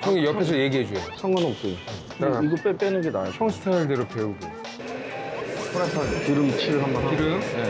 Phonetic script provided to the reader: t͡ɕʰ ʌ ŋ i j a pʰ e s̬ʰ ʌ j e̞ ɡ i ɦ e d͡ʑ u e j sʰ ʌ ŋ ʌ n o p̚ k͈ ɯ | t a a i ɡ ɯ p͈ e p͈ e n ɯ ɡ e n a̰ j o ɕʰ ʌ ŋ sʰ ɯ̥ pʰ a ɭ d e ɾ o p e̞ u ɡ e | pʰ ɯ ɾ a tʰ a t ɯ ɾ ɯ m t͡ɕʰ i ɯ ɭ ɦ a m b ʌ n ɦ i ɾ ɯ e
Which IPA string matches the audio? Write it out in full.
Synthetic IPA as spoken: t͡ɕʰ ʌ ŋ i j ʌ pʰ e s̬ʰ ʌ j e̞ ɡ i ɦ e d͡ʑ u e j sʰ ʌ ŋ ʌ n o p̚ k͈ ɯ | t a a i ɡ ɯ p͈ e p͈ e n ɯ ɡ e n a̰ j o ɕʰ ʌ ŋ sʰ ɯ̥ tʰ a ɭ d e ɾ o p e̞ u ɡ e | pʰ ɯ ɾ a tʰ a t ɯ ɾ ɯ m t͡ɕʰ i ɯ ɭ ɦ a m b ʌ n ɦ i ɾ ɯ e

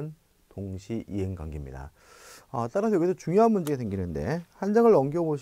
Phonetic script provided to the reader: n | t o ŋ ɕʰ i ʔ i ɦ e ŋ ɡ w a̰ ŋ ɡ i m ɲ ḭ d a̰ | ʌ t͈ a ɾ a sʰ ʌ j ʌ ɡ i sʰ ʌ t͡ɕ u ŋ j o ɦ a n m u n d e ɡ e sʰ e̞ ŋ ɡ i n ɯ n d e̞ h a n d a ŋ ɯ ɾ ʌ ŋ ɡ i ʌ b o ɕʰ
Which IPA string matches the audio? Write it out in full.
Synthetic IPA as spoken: n | t o ŋ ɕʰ i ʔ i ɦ e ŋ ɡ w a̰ ŋ ɡ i m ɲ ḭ d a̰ | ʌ t͈ a ɾ a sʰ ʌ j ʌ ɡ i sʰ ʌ t͡ɕ u ŋ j o ɦ a n m u n d͡ʑ e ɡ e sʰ e̞ ŋ ɡ i n ɯ n d e̞ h a n d͡ʑ a ŋ ɯ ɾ ʌ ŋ ɡ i ʌ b o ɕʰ

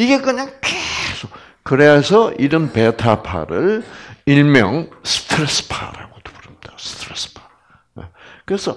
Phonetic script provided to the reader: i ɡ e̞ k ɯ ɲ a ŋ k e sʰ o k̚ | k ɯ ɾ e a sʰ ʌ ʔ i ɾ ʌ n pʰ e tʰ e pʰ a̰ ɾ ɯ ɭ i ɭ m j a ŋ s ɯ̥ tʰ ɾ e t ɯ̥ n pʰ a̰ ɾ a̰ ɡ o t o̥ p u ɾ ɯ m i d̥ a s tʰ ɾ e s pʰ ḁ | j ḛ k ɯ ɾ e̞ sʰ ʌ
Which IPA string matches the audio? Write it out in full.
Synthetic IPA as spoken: i ɡ e̞ k ɯ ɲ a ŋ k e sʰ o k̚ | k ɯ ɾ e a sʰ ʌ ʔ i ɾ ʌ n p e tʰ a pʰ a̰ ɾ ɯ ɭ i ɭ m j ʌ ŋ s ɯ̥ tʰ ɾ e s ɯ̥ pʰ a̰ ɾ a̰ ɡ o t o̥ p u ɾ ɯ m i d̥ a s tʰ ɾ e s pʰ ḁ | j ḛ k ɯ ɾ e̞ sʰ ʌ

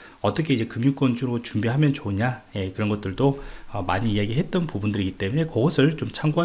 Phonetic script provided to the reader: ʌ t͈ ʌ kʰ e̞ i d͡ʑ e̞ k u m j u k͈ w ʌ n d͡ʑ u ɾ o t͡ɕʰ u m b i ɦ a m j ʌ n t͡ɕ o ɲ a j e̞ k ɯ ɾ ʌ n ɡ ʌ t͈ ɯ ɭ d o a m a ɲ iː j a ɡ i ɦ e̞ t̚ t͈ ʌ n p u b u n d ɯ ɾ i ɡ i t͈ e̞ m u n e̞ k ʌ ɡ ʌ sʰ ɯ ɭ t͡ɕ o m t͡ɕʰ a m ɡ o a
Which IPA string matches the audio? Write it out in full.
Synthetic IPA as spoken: ʌ t͈ ʌ kʰ e̞ i d͡ʑ e̞ k ɯ m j u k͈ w ʌ n d͡ʑ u ɾ o t͡ɕ u m b i ɦ a m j ʌ n t͡ɕ o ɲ a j e̞ k ɯ ɾ ʌ n ɡ ʌ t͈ ɯ ɭ d o ʌ m a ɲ iː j a ɡ i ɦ e̞ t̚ t͈ ʌ n p u b u n d ɯ ɾ i ɡ i t͈ e̞ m u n e̞ k ʌ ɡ ʌ sʰ ɯ ɭ t͡ɕ o m t͡ɕʰ a ŋ ɡ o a

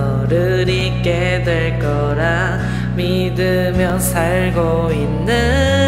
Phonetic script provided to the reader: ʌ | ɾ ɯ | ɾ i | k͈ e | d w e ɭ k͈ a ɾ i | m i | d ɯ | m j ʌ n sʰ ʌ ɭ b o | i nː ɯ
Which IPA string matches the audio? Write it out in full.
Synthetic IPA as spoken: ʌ | ɾ ɯ | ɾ i | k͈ e | d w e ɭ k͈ ʌ ɾ a | m i | d ɯ | m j ʌ n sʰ a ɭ ɡ o | i nː ɯ

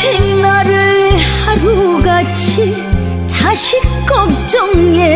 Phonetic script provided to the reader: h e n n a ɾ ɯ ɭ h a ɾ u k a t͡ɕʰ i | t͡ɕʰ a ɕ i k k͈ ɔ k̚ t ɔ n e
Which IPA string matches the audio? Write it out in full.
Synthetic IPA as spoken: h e ŋ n a ɾ ɯ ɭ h a ɾ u ɡ a t͡ɕʰ i | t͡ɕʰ a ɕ i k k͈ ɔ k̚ t͡ɕ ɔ ŋ e

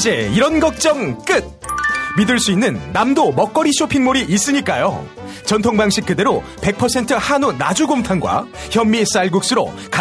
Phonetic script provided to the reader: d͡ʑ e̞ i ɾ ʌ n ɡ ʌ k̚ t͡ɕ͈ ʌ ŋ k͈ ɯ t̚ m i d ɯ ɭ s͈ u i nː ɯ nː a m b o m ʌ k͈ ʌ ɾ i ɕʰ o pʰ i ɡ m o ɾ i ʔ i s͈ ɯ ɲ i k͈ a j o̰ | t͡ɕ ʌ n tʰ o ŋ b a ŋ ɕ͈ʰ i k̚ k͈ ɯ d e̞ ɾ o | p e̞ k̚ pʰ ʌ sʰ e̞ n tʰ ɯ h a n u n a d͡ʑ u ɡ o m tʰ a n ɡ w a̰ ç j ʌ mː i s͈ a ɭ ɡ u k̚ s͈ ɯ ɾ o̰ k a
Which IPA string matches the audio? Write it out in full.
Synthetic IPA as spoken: d͡ʑ e̞ i ɾ ʌ n ɡ ʌ k̚ t͡ɕ͈ ʌ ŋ k͈ ɯ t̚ m i d ɯ ɭ s͈ u i nː ɯ nː a m d o m ʌ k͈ ʌ ɾ i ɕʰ o pʰ i ŋ m o ɾ i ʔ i s͈ ɯ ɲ i k͈ a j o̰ | t͡ɕ ʌ n tʰ o ŋ b a ŋ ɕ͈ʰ i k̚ k͈ ɯ d e̞ ɾ o | p e̞ k̚ pʰ ʌ sʰ e̞ n tʰ ɯ h a n u n a d͡ʑ u ɡ o m tʰ a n ɡ w a̰ ç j ʌ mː i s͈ a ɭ ɡ u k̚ s͈ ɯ ɾ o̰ k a

